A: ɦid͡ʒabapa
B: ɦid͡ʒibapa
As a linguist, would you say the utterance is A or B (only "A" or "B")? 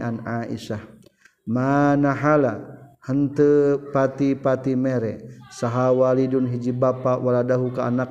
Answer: B